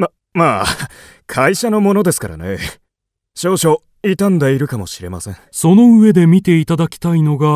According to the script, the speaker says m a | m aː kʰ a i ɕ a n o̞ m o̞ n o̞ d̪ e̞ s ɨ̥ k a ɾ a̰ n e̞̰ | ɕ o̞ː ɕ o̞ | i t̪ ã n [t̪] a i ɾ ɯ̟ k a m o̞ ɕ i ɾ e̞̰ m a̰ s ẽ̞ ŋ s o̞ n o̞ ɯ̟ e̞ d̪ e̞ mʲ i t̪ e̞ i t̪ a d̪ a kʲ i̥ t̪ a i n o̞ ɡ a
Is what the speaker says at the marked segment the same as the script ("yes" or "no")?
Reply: no